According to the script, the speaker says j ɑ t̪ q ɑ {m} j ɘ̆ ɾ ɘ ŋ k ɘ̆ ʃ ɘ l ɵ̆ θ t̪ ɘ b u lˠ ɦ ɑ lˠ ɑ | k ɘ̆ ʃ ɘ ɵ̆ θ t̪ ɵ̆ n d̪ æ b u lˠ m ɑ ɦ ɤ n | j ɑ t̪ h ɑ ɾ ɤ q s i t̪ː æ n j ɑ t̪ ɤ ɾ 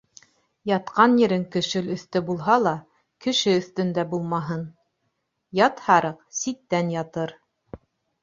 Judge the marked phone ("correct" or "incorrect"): incorrect